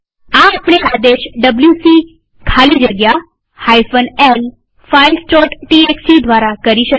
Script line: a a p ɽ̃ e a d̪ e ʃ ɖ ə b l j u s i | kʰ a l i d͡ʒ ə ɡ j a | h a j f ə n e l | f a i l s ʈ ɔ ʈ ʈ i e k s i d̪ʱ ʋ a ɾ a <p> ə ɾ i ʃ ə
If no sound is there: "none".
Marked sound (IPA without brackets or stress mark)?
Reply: k